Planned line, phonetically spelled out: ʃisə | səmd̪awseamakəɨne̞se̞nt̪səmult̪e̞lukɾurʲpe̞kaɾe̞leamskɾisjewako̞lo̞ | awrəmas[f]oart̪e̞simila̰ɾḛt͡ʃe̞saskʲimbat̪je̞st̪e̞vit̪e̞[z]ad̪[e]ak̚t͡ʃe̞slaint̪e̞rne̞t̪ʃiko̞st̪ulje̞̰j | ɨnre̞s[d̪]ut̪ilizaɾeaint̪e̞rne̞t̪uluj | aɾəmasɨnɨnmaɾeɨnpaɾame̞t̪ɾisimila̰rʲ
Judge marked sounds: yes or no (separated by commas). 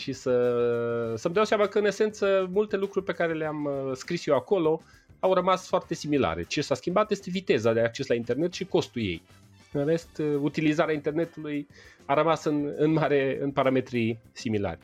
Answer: yes, yes, yes, no